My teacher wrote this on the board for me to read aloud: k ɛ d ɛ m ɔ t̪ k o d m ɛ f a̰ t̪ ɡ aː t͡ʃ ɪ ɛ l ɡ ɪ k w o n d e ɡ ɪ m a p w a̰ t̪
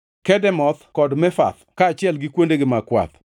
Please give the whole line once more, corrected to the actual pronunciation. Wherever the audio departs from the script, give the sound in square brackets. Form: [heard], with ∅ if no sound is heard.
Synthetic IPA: k ɛ d ɛ m ɔ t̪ k [ɔ] d m ɛ f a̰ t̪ [k] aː t͡ʃ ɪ ɛ l ɡ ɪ k w o n d e ɡ ɪ m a [k] w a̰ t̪